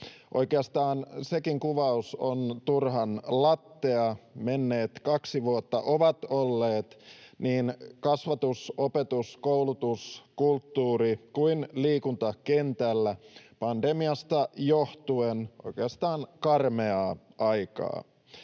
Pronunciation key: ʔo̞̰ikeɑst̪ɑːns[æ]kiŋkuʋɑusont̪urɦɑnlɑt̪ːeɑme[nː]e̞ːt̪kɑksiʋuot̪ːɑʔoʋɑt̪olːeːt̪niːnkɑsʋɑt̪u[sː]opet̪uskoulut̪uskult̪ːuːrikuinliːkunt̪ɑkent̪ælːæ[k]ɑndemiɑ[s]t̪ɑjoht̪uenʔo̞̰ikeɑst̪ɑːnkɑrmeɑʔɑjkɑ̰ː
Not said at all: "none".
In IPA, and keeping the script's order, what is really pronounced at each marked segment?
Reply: e, nː, s, p, s

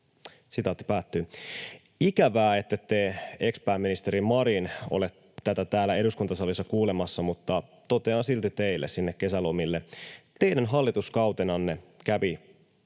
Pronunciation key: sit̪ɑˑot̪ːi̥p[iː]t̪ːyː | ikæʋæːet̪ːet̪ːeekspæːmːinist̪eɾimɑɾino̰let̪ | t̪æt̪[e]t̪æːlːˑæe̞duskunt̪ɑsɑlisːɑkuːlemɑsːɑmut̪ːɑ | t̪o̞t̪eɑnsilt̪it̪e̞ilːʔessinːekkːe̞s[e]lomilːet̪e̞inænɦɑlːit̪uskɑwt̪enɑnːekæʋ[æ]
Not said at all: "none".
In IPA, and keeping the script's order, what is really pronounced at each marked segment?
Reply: æː, æ, æ, i

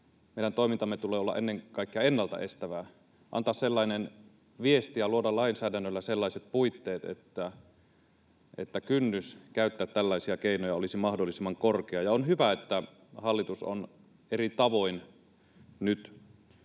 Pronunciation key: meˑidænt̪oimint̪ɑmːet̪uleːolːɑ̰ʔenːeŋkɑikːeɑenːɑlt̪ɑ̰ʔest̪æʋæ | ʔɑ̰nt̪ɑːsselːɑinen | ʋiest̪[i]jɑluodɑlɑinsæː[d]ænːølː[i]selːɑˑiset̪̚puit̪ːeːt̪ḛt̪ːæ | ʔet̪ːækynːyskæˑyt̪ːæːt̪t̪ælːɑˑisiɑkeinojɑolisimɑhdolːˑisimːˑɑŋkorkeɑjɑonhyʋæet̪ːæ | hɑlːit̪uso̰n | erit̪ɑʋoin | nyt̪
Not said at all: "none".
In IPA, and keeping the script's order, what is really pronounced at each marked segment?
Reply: i, d, æ

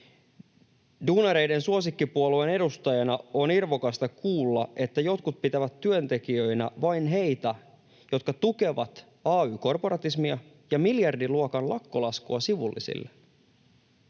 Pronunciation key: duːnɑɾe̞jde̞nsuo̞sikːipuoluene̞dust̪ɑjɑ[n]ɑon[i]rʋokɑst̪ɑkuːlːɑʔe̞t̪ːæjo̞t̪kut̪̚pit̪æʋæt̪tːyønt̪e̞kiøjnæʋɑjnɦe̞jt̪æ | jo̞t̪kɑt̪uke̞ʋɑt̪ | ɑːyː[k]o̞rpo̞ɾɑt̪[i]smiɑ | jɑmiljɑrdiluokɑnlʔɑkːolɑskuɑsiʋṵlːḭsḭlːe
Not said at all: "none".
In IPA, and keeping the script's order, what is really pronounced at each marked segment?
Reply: n, i, k, i

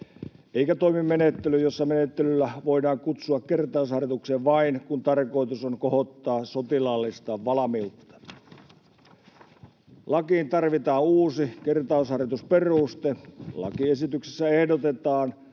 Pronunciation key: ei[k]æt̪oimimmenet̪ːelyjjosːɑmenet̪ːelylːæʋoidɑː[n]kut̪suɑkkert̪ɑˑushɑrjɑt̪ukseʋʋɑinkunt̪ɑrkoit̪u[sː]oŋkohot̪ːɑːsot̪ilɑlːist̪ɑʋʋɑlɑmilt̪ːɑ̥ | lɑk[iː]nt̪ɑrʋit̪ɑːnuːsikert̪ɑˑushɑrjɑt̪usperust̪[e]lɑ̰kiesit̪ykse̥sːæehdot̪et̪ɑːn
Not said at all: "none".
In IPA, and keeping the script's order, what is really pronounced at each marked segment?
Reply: k, ŋ, s, iː, e

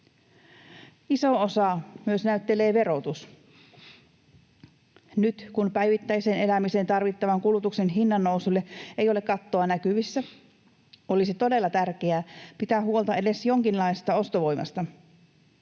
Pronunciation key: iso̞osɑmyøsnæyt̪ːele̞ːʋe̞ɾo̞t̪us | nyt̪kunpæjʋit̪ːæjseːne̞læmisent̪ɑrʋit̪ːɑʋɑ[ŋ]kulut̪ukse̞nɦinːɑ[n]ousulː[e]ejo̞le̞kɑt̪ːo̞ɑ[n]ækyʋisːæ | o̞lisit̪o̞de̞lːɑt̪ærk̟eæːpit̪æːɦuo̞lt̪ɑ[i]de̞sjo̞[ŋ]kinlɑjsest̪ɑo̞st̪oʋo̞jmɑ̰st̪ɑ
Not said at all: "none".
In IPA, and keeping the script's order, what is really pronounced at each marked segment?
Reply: ŋ, nː, e, n, e, ŋ

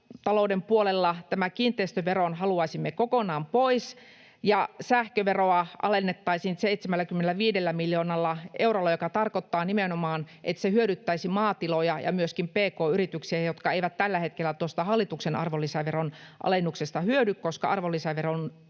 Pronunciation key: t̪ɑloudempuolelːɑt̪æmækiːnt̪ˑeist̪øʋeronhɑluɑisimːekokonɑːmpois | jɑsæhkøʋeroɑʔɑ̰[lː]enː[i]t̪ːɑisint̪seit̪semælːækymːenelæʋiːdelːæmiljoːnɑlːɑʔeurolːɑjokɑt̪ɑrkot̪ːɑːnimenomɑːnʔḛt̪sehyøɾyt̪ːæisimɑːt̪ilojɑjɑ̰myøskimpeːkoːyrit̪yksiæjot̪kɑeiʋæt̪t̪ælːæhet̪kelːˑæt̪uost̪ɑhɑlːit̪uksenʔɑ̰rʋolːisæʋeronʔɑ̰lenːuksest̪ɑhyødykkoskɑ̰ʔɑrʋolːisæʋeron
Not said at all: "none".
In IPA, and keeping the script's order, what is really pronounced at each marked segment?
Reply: l, e

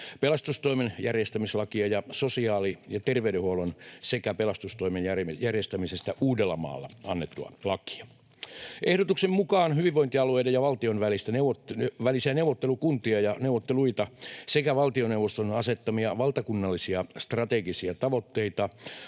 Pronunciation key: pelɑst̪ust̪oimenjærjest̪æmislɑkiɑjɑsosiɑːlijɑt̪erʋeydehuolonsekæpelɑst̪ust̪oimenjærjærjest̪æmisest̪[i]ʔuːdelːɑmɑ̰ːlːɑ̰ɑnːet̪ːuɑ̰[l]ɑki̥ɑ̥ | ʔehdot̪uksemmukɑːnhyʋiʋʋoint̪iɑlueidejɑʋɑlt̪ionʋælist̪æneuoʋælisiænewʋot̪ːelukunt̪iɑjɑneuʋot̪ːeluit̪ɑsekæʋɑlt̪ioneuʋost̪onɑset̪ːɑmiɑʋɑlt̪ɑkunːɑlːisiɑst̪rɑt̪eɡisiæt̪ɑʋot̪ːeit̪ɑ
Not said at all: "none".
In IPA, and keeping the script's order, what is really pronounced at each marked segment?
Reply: æ, l

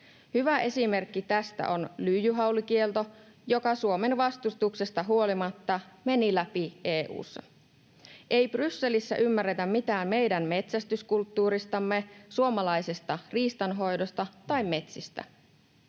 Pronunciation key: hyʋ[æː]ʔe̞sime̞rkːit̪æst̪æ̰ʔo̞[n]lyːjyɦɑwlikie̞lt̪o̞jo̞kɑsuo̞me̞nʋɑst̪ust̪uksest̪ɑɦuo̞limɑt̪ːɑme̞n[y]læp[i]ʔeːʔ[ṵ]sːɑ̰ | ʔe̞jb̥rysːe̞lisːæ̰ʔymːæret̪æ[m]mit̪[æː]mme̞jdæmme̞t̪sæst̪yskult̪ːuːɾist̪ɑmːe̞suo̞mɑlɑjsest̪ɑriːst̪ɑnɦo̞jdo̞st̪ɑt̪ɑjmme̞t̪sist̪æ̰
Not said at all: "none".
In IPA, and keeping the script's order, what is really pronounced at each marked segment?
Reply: æ, n, i, i, ṵː, m, æː

